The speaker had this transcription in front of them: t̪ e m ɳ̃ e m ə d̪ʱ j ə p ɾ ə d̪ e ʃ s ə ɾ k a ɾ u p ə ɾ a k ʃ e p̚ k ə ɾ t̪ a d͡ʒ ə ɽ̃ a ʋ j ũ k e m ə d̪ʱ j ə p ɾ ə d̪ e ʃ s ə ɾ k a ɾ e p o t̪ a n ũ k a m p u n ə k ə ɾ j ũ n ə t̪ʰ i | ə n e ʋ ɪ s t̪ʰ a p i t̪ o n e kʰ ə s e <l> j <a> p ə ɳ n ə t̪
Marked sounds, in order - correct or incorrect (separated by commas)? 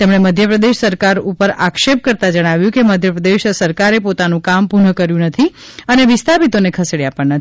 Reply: incorrect, correct